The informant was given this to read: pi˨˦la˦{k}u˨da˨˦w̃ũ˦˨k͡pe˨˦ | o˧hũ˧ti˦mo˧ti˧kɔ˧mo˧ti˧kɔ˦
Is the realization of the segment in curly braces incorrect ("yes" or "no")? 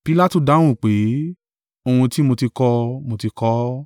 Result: yes